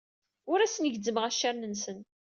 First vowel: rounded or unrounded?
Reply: rounded